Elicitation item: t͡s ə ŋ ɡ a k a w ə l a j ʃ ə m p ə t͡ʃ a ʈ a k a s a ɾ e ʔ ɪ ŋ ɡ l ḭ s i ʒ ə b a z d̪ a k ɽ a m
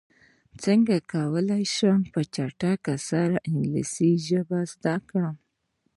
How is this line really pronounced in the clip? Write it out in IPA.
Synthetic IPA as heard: t͡s ə ŋ ɡ a k a w ə l a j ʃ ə m p ə t͡ʃ a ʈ a k a s a ɾ a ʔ ɪ ŋ ɡ l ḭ s i ʒ ə b a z d̪ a k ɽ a m